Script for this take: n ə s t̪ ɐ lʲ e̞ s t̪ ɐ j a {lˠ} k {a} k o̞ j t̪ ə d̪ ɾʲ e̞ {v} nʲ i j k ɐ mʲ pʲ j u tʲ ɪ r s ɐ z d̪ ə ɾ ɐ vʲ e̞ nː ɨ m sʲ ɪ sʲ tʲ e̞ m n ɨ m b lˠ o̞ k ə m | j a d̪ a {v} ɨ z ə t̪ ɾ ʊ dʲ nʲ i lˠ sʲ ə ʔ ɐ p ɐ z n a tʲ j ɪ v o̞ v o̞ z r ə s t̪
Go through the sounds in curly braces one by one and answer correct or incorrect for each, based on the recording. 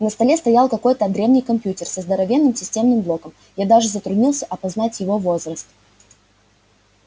correct, incorrect: ɐ, correct, incorrect: ʐ

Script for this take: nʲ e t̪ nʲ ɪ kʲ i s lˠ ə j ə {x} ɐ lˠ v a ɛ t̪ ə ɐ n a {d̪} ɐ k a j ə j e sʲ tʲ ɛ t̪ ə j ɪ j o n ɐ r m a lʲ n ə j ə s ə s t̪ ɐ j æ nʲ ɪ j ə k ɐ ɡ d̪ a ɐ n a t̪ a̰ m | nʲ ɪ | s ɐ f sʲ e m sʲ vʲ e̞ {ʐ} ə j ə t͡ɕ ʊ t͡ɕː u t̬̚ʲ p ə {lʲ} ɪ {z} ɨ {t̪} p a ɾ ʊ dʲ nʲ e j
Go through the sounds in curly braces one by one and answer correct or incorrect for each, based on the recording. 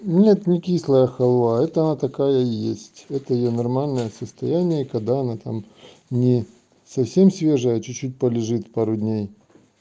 correct, incorrect: t̪, correct, correct, incorrect: ʐ, correct

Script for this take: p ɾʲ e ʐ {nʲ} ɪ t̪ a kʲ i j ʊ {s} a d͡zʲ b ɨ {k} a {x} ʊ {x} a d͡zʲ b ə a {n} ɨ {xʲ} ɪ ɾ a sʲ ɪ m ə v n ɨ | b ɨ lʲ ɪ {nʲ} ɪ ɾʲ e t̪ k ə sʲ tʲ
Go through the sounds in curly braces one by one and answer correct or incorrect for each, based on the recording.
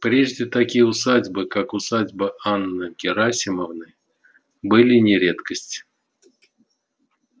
incorrect: dʲ, correct, correct, incorrect: k, incorrect: s, incorrect: nː, incorrect: kʲ, correct

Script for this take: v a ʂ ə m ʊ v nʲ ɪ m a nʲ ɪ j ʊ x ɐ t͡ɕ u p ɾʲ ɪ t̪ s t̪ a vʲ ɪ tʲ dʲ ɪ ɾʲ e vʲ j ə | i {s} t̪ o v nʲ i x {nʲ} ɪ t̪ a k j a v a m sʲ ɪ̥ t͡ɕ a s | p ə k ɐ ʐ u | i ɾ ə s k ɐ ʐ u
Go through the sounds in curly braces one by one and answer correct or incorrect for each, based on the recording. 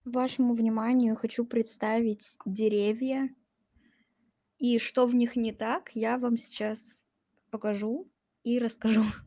incorrect: ʂ, correct

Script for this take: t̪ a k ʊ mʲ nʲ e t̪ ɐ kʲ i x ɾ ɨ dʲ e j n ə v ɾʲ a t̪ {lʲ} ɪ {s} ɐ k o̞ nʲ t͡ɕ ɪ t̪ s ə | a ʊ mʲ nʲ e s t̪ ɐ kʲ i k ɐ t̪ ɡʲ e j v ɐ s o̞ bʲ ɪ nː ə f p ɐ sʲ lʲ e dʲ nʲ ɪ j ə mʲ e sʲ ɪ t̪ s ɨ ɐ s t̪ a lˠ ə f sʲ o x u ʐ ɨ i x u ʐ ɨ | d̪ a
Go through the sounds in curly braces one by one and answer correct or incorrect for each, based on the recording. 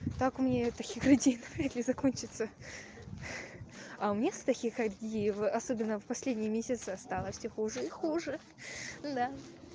correct, incorrect: z

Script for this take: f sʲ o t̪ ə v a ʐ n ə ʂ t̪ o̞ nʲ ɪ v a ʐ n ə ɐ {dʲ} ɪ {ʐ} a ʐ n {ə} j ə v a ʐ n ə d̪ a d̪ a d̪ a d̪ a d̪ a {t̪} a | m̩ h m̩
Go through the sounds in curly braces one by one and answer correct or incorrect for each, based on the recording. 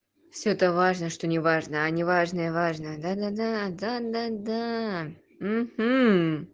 incorrect: nʲ, incorrect: v, correct, incorrect: d̪

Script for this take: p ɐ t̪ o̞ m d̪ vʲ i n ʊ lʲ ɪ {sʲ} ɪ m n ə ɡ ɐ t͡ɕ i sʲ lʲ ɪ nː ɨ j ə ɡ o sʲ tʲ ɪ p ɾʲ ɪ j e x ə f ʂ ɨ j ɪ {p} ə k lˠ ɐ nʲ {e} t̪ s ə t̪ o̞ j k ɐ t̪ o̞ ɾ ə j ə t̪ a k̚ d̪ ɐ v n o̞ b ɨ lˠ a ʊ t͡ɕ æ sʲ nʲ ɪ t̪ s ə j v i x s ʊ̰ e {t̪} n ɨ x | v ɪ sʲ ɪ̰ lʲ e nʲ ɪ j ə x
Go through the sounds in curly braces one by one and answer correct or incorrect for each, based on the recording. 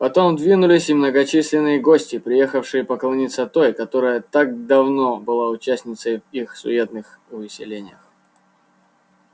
correct, correct, incorrect: i, correct

